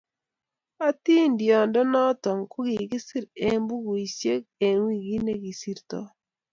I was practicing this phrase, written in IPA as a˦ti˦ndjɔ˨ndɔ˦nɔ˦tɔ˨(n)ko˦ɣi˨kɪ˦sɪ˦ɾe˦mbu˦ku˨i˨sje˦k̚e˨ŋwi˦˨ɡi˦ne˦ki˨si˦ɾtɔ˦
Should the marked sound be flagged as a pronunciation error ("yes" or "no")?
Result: yes